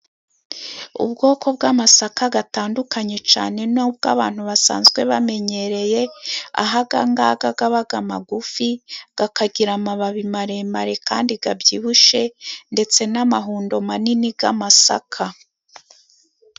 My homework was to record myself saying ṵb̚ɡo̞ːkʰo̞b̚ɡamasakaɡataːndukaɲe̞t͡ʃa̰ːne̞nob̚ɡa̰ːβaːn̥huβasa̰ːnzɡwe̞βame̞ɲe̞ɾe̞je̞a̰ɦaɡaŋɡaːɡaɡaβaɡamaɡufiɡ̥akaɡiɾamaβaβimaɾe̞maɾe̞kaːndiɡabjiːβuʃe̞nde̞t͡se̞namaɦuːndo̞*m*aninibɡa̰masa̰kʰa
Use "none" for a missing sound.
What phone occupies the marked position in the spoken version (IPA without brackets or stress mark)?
m